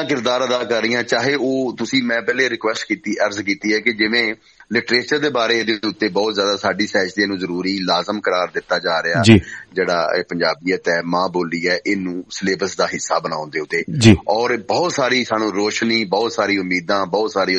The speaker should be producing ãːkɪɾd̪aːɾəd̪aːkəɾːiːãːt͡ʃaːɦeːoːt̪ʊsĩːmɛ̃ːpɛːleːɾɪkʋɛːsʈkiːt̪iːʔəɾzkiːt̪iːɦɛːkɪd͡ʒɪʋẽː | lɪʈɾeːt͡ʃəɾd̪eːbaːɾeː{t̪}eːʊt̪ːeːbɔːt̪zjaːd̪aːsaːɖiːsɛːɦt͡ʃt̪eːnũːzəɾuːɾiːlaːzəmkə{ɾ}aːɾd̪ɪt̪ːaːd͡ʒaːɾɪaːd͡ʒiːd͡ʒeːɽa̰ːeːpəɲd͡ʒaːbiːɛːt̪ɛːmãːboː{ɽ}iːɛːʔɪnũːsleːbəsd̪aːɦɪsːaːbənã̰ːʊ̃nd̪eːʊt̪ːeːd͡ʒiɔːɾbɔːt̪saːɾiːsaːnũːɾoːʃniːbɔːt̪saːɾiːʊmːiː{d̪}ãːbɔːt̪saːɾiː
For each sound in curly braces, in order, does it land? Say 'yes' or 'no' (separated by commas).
no, yes, no, yes